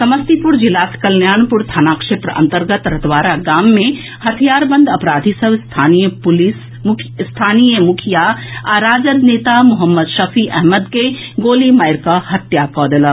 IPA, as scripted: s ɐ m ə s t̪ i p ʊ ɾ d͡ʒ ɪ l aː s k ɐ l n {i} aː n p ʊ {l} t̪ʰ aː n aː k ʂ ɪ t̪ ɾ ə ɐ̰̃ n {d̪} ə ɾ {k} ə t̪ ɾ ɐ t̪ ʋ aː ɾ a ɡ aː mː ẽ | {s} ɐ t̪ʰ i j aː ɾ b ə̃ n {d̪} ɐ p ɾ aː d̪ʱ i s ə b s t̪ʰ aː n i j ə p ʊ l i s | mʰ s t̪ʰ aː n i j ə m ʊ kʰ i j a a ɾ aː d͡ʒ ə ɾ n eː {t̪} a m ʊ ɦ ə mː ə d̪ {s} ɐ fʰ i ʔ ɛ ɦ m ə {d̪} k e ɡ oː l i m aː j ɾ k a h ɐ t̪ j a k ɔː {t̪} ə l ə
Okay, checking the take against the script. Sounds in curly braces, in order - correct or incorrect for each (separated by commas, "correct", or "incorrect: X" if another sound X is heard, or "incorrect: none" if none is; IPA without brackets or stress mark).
incorrect: j, incorrect: ɾ, incorrect: t̪, incorrect: ɡ, incorrect: h, correct, correct, incorrect: ʃ, correct, incorrect: d̪